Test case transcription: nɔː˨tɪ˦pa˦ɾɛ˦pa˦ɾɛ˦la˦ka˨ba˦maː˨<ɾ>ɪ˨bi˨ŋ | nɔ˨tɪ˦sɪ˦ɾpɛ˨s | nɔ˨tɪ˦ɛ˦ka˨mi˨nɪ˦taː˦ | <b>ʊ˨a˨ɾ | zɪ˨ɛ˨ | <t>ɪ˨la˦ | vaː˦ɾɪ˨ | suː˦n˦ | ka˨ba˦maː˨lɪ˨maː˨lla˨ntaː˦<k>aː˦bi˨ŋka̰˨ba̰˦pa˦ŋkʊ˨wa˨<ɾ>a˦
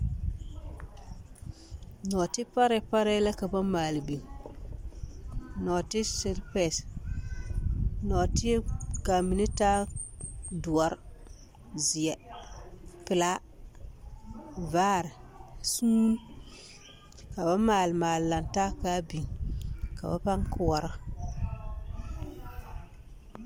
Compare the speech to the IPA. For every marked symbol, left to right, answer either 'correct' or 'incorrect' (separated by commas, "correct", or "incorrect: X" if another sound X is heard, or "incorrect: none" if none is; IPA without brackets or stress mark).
incorrect: l, incorrect: d, incorrect: p, correct, correct